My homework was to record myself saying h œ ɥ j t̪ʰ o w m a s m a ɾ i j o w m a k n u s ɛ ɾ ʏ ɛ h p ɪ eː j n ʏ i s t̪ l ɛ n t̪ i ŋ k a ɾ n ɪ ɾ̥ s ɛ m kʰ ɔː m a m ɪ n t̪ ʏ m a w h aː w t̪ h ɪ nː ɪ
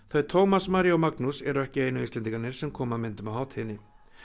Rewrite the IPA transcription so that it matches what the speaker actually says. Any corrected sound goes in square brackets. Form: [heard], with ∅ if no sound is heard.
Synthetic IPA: [θ] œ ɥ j t̪ʰ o w m a s m a ɾ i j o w m a k n u s ɛ ɾ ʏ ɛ h [c] ɪ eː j n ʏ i s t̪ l ɛ n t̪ i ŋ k a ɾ n ɪ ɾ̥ s ɛ m kʰ ɔː m a m ɪ n t̪ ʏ m a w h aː w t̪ h ɪ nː ɪ